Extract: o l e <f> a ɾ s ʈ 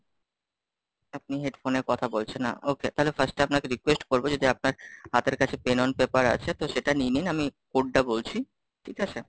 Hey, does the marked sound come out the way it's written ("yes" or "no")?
yes